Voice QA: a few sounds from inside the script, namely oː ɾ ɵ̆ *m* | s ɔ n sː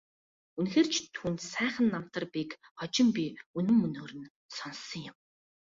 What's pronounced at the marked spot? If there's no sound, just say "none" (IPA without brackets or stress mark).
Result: n